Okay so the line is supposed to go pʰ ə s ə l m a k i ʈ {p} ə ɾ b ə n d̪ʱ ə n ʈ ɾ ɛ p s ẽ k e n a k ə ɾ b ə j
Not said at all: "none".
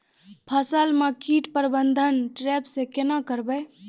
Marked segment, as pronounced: p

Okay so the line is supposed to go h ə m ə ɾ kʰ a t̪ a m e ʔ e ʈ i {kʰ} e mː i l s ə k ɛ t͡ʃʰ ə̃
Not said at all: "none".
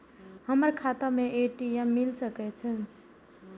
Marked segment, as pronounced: none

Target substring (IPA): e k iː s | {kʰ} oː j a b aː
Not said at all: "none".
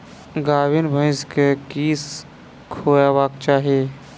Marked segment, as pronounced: kʰ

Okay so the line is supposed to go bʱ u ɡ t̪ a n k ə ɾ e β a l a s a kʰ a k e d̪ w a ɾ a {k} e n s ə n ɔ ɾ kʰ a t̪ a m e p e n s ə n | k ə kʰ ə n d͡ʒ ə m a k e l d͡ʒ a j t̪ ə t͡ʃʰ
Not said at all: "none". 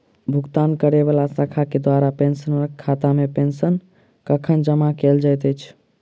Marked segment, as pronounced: p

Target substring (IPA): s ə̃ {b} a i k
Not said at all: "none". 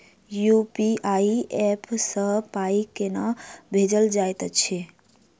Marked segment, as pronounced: p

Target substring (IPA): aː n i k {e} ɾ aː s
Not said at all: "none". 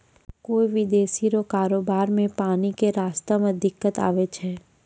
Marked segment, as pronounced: e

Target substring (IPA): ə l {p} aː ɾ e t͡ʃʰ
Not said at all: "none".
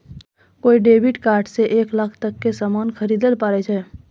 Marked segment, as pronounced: p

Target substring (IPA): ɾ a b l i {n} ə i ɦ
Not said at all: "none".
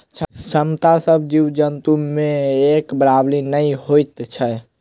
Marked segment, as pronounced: n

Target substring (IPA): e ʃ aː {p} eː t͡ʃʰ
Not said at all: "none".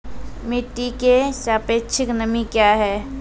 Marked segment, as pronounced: p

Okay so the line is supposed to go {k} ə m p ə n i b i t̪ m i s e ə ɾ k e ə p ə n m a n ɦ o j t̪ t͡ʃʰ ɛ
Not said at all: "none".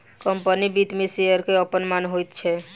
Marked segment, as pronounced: k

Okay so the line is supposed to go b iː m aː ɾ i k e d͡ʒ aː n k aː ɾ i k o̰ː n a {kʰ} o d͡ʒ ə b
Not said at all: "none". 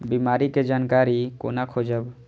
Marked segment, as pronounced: kʰ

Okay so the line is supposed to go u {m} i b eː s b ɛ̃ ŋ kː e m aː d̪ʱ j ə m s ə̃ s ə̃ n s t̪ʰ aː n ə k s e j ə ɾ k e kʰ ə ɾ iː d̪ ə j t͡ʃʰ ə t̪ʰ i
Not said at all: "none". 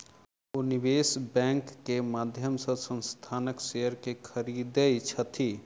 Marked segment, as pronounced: n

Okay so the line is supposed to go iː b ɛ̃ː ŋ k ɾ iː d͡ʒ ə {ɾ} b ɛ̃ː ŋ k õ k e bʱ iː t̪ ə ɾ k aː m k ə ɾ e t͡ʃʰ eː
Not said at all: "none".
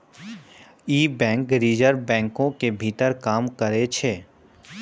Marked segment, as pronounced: ɾ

